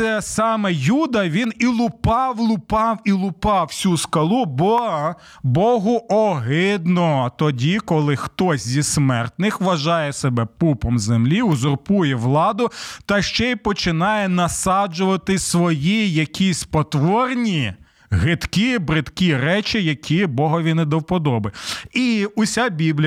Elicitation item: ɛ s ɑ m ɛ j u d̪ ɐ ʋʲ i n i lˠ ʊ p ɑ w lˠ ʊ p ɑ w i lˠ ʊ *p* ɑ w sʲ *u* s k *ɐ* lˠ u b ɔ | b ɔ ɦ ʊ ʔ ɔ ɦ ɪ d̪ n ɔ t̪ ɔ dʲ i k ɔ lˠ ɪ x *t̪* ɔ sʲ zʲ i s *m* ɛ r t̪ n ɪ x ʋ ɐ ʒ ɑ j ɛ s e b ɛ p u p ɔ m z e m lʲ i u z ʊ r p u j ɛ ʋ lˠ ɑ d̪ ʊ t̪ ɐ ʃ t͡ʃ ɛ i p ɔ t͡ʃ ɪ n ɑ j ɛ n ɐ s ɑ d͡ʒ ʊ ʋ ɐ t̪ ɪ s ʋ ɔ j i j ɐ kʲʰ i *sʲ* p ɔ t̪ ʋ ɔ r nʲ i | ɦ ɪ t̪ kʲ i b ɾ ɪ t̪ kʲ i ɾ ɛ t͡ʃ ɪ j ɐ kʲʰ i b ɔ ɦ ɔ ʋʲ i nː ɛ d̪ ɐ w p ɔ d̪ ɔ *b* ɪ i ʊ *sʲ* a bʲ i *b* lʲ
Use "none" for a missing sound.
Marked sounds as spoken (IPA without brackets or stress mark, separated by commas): p, u, ɐ, t̪, m, sʲ, b, sʲ, b